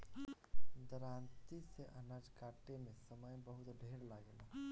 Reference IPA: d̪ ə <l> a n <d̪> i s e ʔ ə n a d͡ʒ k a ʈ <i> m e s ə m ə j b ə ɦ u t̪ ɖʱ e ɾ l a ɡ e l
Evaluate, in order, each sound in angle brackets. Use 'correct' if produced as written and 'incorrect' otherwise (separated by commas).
incorrect, incorrect, incorrect